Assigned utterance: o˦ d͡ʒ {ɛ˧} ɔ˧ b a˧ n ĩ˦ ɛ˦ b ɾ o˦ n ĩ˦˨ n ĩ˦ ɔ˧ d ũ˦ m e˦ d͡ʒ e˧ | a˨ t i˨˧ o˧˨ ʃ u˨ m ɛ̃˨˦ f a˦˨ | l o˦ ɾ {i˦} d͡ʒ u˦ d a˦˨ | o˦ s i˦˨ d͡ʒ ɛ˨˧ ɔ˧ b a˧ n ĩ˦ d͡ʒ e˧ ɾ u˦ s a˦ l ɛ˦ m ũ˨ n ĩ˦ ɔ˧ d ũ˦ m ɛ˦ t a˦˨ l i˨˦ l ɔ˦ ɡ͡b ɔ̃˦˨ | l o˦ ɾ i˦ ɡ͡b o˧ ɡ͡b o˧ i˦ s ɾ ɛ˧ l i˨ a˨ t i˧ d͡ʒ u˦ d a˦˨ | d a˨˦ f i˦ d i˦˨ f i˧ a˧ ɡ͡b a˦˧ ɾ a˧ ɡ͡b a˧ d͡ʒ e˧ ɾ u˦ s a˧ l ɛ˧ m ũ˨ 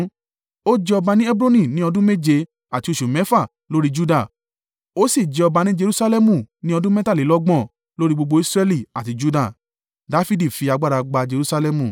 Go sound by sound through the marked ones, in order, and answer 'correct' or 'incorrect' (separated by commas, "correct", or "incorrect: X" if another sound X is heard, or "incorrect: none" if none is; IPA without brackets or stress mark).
correct, correct